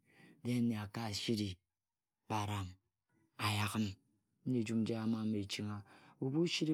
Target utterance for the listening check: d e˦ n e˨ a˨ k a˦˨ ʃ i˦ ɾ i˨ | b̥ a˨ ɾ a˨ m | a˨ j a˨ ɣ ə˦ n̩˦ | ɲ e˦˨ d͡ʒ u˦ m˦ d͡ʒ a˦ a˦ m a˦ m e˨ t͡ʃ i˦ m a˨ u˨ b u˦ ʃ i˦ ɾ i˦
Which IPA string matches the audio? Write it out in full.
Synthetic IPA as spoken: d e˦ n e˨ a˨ k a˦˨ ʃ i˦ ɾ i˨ | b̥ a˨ ɾ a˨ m | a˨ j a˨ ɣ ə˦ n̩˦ | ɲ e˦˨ d͡ʒ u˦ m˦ d͡ʒ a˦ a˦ m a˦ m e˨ t͡ʃ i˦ ŋ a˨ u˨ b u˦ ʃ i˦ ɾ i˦

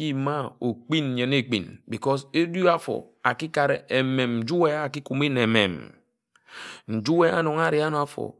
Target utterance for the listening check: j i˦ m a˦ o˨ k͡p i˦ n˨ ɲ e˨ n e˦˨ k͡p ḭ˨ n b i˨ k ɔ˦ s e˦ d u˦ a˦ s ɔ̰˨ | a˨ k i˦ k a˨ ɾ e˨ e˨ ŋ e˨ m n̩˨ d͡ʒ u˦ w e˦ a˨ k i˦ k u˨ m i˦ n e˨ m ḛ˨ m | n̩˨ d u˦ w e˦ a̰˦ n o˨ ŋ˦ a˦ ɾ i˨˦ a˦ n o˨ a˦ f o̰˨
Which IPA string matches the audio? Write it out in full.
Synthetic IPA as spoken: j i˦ m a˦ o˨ k͡p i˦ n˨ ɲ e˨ n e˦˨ k͡p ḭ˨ n b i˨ k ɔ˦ s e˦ d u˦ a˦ f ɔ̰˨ | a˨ k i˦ k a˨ ɾ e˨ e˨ m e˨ m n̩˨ d͡ʒ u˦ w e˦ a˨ k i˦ k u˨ m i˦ n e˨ m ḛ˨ m | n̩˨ d͡ʒ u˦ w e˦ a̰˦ n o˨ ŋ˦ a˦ ɾ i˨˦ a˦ n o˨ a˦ f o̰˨

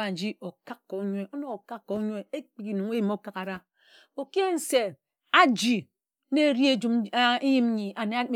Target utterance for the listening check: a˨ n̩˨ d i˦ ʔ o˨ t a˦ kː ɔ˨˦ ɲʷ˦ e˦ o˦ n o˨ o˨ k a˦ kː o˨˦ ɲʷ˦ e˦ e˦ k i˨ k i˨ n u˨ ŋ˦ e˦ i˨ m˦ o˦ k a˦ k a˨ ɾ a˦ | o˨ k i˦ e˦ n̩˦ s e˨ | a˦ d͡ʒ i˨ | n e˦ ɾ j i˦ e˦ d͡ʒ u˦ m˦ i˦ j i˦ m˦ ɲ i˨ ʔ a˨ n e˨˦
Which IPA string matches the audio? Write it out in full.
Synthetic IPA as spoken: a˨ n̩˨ d͡ʒ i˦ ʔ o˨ k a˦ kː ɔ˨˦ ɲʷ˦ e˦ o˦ n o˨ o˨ k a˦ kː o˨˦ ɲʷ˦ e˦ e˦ k͡p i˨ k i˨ n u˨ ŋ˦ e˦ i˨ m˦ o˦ k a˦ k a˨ ɾ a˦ | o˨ k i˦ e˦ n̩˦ s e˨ | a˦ d͡ʒ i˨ | n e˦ ɾ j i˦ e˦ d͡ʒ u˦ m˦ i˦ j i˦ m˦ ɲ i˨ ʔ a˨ n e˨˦

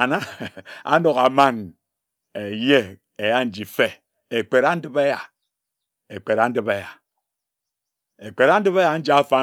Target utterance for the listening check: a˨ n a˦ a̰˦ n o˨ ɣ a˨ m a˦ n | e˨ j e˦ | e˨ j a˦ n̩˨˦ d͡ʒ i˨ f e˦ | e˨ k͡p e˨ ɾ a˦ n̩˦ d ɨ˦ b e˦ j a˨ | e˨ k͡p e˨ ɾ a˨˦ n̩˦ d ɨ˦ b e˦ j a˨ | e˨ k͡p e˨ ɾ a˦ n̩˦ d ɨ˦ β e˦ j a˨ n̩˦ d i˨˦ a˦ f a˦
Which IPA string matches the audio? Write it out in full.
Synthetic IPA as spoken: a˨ n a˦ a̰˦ n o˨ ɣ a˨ m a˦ n | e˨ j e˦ | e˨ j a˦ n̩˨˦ d͡ʒ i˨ f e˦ | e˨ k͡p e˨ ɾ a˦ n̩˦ d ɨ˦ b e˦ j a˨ | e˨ k͡p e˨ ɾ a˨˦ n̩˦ d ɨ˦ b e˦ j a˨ | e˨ k͡p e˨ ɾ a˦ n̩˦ d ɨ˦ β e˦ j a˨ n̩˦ d͡ʒ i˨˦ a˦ f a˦

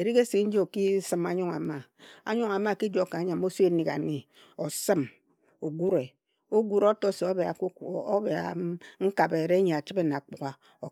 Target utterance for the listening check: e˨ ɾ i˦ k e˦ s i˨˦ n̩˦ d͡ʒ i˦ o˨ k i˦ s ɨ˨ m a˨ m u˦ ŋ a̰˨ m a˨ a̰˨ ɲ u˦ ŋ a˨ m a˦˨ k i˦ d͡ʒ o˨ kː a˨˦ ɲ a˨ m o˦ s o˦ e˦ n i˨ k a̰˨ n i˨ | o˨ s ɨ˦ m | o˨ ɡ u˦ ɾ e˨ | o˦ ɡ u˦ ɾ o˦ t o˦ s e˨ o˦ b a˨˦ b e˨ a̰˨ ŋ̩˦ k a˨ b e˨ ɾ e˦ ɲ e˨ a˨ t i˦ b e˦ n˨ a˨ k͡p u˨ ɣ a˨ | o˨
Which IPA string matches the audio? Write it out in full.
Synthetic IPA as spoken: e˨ ɾ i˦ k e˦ s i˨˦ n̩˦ d͡ʒ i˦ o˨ k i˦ s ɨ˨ m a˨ ɲ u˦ ŋ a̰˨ m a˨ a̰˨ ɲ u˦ ŋ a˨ m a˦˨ k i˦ d͡ʒ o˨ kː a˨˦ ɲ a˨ m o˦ s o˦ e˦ n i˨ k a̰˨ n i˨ | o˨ s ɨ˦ m | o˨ ɡ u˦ ɾ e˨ | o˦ ɡ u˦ ɾ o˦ t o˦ s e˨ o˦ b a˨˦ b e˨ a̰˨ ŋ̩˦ k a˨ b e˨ ɾ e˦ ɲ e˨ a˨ t͡ʃ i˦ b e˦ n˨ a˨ k͡p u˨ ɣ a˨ | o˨

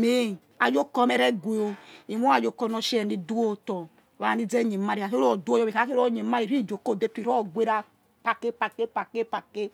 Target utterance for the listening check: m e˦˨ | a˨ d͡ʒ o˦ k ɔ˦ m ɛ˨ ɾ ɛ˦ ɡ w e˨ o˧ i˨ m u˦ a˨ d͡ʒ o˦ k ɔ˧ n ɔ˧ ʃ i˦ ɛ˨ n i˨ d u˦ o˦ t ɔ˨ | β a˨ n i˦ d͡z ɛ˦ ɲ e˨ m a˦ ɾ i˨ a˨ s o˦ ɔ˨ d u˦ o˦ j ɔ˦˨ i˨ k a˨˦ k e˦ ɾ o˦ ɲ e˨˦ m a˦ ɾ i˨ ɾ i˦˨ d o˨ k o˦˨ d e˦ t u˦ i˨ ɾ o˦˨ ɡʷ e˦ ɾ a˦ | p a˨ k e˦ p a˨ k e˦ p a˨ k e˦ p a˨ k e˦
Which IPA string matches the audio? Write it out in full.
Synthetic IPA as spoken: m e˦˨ | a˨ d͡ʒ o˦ k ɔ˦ m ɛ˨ ɾ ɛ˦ ɡ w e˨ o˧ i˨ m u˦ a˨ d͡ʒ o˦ k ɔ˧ n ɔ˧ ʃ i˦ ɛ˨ n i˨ d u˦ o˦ t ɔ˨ | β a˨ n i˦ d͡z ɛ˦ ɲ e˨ m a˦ ɾ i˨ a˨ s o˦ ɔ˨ d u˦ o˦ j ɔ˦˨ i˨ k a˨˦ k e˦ ɾ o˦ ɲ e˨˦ m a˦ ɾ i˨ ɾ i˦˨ d͡ʒ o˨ k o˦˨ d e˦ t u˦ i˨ ɾ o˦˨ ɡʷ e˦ ɾ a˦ | p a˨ k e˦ p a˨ k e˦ p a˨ k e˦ p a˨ k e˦

